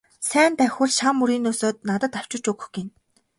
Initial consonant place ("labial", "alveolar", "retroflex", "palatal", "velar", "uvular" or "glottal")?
alveolar